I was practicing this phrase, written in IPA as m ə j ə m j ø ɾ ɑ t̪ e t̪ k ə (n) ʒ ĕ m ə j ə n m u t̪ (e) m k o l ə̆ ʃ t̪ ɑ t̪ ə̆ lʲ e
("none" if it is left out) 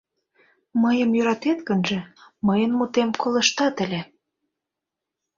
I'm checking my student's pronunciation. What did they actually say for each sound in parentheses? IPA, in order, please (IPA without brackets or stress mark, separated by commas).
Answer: n, e